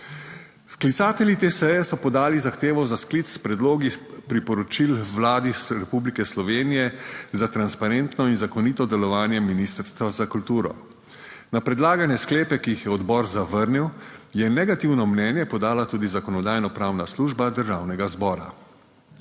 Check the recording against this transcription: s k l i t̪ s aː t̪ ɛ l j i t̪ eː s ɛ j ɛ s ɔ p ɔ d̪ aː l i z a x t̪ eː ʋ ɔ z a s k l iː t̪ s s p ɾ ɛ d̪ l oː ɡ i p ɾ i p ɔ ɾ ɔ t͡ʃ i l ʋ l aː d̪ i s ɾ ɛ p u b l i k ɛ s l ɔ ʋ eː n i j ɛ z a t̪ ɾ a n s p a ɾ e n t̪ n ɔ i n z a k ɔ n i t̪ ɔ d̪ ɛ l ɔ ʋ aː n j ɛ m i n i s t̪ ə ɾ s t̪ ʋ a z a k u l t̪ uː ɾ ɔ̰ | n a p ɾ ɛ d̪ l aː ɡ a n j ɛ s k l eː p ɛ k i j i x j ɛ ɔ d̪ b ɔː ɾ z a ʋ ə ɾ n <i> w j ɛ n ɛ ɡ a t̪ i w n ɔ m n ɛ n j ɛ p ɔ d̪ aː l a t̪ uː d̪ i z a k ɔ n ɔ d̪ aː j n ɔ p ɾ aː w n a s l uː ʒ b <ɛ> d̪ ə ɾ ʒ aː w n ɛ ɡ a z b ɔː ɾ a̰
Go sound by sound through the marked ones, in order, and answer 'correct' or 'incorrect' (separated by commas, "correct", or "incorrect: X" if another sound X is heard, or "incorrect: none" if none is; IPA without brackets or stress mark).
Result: correct, incorrect: a